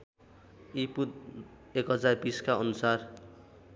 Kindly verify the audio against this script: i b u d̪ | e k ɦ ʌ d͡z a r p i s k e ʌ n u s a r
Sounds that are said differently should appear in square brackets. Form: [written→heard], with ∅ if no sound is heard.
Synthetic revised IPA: i [b→p] u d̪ | e k ɦ ʌ d͡z a r [p→b] i s k [e→a] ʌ n u s a r